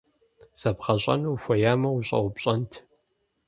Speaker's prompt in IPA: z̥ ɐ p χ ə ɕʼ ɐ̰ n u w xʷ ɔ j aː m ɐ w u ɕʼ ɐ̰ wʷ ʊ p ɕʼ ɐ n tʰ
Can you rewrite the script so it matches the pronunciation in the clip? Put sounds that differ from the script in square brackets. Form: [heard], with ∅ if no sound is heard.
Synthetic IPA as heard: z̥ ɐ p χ [ɐ] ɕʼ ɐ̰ n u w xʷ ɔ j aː m ɐ w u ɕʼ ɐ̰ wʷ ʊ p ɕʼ ɐ n tʰ